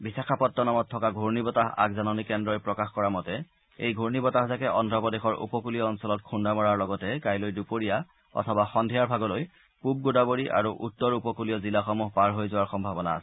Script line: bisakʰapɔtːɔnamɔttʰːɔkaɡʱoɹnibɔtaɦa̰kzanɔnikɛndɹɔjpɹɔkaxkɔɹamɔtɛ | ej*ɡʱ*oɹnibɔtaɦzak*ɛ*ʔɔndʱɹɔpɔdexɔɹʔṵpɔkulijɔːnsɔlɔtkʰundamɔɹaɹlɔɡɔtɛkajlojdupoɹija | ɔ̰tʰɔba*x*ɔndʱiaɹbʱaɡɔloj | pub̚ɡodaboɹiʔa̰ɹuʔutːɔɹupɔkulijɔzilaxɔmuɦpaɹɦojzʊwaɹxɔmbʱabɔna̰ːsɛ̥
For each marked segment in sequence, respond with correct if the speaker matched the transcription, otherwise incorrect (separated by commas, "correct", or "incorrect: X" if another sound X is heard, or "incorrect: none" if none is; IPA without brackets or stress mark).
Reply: correct, correct, correct